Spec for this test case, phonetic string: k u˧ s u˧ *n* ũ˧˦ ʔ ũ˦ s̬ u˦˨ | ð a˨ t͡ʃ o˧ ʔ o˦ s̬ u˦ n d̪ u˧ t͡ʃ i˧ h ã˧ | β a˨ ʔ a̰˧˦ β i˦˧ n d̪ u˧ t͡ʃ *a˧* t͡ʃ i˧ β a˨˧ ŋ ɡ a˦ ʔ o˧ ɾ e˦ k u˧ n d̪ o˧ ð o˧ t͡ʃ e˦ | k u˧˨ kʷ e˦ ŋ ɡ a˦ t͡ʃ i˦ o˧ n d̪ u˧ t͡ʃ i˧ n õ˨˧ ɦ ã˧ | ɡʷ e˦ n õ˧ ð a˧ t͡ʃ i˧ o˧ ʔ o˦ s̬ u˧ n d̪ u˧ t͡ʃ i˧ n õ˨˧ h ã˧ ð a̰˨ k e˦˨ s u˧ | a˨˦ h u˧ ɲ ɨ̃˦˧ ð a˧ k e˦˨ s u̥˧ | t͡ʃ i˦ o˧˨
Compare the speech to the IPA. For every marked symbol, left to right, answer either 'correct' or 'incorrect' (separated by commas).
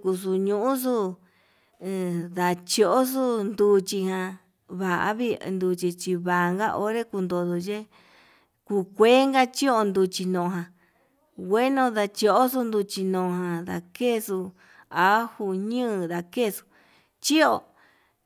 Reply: incorrect, incorrect